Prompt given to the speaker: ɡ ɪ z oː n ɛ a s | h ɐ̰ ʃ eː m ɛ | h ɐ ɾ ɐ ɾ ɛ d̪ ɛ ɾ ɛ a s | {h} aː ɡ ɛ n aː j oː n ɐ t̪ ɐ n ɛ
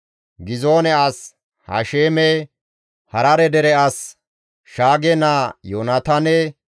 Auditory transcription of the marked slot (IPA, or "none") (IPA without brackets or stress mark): ʃ